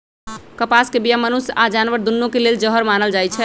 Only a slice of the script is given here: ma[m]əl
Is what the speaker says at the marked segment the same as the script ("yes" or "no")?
no